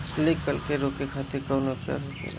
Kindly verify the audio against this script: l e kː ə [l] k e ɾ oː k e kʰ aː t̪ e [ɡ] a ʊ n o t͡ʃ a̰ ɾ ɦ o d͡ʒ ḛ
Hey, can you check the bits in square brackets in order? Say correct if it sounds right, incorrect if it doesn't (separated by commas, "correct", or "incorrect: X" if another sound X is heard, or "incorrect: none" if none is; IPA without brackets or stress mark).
correct, incorrect: k